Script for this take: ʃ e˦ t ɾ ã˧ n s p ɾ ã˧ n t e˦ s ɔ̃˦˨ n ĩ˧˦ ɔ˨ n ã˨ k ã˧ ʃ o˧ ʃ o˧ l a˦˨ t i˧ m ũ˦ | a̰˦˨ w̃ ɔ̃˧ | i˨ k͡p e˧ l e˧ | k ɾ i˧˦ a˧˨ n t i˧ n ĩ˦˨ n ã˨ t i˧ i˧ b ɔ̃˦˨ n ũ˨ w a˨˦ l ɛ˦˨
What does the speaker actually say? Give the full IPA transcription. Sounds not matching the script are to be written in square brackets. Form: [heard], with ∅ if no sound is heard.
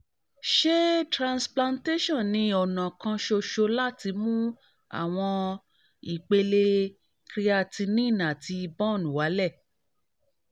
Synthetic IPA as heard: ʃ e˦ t ɾ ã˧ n s p [l] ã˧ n t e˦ [ʃ] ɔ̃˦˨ n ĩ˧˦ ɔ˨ n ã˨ k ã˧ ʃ o˧ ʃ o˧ l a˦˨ t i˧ m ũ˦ | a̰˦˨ w̃ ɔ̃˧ | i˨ k͡p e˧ l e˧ | k ɾ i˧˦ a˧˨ [∅] t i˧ n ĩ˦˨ n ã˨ t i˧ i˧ b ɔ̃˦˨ n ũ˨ w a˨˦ l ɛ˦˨